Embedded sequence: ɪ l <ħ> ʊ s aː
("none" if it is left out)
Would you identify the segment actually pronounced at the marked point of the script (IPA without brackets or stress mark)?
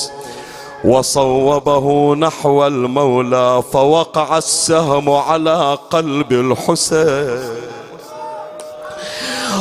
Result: ħ